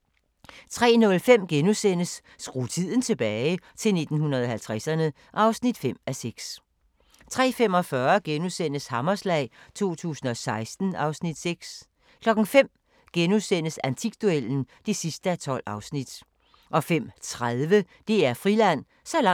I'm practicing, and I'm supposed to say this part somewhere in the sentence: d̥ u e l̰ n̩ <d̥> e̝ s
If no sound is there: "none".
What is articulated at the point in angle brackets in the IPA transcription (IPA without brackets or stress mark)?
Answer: d̥